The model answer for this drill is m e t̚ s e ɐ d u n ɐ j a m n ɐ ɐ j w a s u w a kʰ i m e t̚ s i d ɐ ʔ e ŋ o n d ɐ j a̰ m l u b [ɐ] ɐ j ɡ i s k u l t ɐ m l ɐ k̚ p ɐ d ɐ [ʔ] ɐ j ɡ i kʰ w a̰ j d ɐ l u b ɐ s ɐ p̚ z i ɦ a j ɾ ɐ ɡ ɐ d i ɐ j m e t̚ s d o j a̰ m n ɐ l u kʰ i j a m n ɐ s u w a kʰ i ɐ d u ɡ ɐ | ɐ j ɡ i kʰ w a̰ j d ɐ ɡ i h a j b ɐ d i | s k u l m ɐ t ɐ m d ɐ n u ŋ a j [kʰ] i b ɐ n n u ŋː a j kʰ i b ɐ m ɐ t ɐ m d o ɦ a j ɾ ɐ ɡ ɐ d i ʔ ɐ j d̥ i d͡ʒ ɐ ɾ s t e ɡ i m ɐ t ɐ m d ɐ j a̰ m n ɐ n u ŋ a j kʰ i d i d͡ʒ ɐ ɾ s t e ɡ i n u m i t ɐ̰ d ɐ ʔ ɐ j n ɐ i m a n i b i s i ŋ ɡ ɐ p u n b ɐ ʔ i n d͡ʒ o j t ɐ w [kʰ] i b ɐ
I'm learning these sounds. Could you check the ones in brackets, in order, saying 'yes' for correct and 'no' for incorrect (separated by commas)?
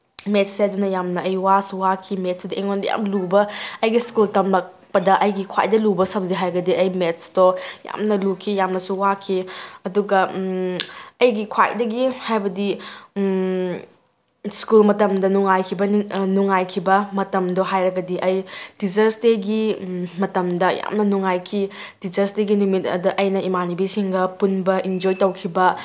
yes, yes, yes, yes